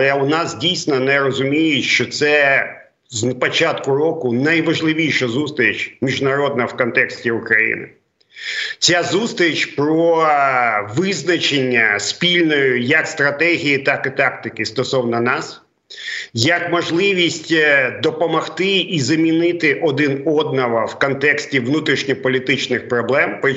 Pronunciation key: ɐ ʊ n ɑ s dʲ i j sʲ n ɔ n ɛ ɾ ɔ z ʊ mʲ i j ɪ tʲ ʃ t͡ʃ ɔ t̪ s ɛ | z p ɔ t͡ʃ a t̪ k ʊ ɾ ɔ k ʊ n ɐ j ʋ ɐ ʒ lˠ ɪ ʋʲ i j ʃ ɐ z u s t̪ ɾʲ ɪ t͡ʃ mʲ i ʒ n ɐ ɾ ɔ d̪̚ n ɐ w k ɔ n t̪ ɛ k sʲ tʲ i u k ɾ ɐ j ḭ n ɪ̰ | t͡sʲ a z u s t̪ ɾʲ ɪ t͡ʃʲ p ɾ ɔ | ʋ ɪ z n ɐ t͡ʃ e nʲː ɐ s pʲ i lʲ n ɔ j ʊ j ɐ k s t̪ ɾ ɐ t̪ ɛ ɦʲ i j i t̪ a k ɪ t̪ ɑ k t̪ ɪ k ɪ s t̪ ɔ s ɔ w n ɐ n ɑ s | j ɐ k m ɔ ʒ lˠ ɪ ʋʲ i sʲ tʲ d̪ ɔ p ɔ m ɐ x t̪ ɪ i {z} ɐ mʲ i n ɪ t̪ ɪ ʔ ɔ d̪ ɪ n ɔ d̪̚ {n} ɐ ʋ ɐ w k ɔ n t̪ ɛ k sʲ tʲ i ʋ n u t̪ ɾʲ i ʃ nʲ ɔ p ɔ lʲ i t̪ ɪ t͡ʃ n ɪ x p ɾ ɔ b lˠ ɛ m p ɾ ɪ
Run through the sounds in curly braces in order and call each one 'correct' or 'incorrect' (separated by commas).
correct, correct